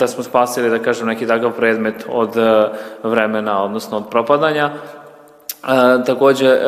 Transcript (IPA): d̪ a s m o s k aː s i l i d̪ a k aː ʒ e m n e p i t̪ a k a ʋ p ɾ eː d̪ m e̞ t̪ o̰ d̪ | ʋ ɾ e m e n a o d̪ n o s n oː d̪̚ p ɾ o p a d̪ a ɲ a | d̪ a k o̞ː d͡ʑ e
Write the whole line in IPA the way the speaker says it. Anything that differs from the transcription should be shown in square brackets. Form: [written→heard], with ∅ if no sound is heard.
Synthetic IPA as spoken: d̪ a s m o s [k→p] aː s i l i d̪ a k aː ʒ e m n e [p→k] i t̪ a k a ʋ p ɾ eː d̪ m e̞ t̪ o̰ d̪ | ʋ ɾ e m e n a o d̪ n o s n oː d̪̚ p ɾ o p a d̪ a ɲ a | [d̪→t̪] a k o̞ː d͡ʑ e